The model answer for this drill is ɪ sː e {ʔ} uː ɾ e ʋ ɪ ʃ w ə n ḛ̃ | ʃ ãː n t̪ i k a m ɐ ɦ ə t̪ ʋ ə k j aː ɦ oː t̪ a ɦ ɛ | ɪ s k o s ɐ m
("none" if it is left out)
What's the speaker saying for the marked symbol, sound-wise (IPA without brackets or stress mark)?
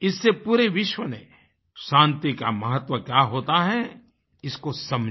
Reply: p